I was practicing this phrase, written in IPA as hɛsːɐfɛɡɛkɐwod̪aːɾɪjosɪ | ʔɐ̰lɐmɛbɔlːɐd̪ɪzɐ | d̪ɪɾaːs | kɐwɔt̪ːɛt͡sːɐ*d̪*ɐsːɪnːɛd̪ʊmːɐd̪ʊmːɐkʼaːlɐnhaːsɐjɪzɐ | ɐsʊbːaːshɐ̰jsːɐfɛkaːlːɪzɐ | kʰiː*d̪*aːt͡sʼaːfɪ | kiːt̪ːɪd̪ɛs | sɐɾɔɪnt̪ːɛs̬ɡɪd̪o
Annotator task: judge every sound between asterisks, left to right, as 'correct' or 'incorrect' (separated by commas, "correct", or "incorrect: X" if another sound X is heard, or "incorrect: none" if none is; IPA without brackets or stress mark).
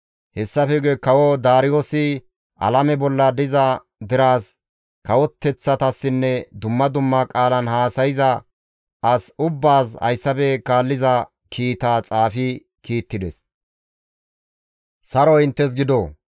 incorrect: t̪, incorrect: t̪